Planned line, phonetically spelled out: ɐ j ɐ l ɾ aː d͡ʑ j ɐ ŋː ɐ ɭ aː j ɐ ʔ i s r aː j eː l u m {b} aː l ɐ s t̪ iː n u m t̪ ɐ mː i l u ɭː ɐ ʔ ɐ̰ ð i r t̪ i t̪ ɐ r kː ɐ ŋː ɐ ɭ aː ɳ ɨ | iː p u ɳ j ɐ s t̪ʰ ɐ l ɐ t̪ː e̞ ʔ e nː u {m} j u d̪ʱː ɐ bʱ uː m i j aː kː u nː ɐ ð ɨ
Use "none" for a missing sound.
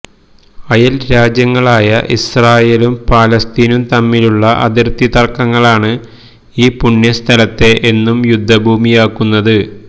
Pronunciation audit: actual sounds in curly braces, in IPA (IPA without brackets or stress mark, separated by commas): p, m